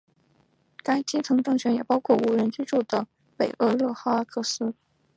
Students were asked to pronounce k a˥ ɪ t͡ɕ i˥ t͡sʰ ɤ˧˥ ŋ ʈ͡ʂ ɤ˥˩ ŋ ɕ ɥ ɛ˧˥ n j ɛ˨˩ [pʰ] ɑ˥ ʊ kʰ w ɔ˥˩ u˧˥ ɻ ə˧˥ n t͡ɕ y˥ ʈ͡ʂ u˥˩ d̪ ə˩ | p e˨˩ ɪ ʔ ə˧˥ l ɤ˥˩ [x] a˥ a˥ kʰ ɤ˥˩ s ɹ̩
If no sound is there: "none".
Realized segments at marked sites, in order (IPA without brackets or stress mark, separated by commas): p, x